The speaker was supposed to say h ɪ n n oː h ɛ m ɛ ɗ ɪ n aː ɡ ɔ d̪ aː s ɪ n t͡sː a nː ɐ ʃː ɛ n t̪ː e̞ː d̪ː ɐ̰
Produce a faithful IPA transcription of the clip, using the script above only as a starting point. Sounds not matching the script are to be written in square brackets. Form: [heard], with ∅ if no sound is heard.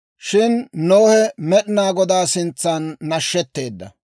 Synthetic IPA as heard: [ʃ] ɪ n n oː h ɛ m ɛ ɗ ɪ n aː ɡ ɔ d̪ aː s ɪ n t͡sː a nː ɐ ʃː ɛ [∅] t̪ː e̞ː d̪ː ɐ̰